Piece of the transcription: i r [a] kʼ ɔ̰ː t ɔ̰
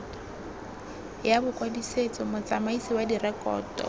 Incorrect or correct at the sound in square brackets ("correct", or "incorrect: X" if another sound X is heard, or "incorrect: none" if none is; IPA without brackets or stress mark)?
incorrect: ɛ